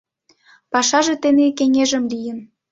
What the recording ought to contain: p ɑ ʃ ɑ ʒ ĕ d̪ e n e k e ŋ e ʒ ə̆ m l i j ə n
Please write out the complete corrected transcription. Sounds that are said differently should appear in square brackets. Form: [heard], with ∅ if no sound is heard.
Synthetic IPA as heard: p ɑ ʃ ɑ ʒ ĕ [t̪] e n e k e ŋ e ʒ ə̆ m l i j ə n